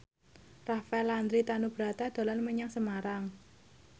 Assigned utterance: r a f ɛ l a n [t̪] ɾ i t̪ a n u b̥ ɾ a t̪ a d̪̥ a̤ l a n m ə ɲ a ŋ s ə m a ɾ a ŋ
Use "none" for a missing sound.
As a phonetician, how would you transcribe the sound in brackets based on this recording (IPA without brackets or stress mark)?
d̪